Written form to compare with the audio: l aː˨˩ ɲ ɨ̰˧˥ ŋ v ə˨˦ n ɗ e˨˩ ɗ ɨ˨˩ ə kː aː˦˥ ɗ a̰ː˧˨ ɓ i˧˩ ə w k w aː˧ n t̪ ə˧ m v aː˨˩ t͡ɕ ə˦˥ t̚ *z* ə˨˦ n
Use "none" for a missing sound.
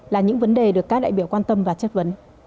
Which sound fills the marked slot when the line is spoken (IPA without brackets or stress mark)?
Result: v